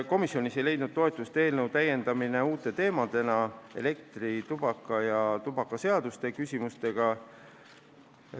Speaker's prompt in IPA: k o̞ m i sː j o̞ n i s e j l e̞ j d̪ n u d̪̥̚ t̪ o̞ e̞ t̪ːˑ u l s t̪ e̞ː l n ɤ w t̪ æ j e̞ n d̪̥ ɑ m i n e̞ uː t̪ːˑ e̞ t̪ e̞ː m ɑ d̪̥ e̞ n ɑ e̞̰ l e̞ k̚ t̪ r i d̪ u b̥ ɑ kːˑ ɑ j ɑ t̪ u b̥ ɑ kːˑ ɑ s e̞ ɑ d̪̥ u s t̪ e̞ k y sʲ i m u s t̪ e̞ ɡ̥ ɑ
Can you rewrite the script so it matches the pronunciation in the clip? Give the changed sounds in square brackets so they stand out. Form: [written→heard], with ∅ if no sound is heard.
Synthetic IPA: k o̞ m i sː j o̞ n i s e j l e̞ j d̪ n u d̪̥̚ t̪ o̞ e̞ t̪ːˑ u [l→∅] s t̪ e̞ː l n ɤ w t̪ æ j e̞ n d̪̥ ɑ m i n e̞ uː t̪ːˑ e̞ t̪ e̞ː m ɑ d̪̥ e̞ n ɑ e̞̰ l e̞ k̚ t̪ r i [d̪→t̪] u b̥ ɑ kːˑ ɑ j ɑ t̪ u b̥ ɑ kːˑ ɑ s e̞ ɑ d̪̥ u s t̪ e̞ k y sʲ i m u s t̪ e̞ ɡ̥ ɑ